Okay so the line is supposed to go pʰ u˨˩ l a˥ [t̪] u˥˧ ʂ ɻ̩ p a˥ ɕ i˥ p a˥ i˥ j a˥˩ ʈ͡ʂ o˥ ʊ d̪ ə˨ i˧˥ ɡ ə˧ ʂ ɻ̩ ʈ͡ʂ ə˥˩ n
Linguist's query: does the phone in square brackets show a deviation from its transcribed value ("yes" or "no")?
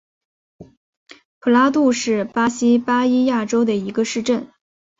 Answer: no